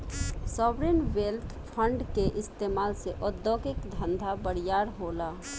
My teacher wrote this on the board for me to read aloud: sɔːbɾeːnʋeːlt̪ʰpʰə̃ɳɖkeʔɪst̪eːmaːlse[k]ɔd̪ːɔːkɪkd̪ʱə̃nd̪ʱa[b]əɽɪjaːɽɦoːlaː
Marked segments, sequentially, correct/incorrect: incorrect: ʔ, correct

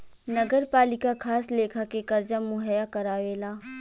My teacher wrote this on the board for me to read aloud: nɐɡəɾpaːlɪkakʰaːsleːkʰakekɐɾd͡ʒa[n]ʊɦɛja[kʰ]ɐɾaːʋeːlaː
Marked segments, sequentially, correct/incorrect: incorrect: m, incorrect: k

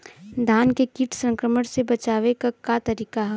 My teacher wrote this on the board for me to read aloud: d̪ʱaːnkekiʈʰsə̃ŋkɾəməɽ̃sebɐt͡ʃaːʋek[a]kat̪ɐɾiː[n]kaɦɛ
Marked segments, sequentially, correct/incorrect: correct, incorrect: none

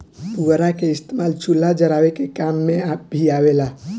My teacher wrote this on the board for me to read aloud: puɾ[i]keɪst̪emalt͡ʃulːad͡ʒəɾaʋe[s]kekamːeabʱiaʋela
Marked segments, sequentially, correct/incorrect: incorrect: a, incorrect: none

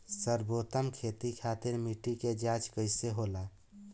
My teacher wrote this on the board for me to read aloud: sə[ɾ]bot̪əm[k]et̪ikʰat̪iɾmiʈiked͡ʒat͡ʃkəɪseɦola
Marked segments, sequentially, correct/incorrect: correct, incorrect: kʰ

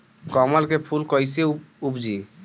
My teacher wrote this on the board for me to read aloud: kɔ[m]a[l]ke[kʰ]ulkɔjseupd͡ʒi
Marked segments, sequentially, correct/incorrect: correct, correct, incorrect: pʰ

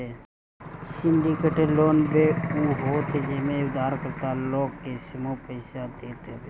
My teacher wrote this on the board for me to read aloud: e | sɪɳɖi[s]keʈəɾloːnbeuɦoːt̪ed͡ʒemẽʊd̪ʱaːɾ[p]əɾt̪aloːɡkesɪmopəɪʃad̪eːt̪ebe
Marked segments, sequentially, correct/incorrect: incorrect: none, incorrect: k

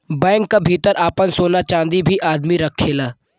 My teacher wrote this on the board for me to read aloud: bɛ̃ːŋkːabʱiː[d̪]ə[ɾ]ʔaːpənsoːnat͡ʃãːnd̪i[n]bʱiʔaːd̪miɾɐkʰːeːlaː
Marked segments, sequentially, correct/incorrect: incorrect: t̪, correct, incorrect: none

